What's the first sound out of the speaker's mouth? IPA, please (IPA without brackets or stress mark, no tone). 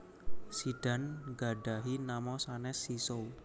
s